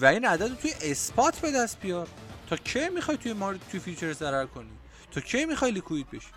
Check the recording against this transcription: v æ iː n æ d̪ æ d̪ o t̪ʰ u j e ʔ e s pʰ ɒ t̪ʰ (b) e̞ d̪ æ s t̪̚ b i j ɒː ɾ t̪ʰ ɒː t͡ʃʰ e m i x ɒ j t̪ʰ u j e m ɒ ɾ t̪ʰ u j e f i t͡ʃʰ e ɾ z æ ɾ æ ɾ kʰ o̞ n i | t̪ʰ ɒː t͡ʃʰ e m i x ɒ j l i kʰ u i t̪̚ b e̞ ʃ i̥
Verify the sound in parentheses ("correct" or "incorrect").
correct